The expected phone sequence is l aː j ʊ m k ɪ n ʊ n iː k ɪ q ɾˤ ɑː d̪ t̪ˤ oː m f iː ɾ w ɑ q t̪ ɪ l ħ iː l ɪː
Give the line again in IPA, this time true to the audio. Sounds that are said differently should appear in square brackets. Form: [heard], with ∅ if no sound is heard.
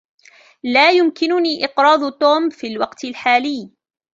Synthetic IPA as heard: l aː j ʊ m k ɪ n ʊ n iː [ʔ] ɪ q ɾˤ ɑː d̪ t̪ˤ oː m f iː [l] w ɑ q t̪ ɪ l ħ [aː] l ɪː